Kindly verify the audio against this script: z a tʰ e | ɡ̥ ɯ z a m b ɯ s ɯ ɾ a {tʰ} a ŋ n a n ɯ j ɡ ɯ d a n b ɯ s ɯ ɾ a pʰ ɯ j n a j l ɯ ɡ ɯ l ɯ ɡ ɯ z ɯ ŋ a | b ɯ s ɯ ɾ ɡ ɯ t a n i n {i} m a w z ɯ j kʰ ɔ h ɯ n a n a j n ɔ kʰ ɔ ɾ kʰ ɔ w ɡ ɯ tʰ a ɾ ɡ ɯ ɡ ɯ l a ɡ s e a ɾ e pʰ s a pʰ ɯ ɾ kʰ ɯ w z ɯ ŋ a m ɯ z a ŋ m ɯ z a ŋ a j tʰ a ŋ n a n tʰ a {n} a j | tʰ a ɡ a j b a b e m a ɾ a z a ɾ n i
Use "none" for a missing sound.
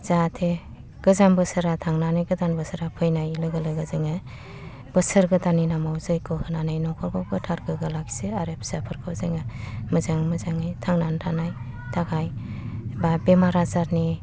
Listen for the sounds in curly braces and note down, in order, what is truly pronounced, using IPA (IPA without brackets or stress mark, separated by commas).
tʰ, a, n